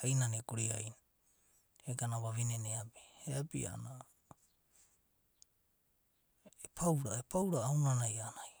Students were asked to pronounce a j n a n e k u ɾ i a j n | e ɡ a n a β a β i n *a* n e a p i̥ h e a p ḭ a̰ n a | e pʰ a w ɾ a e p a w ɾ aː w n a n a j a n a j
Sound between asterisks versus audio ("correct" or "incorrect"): incorrect